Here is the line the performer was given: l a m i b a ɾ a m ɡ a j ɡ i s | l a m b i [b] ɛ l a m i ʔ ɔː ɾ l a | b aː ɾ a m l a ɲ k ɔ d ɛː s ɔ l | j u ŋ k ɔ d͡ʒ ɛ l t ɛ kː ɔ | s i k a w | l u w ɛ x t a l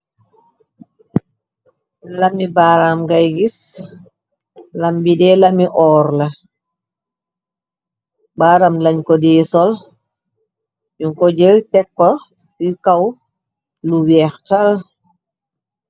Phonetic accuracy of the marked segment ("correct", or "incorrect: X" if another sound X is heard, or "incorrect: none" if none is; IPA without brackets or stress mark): incorrect: d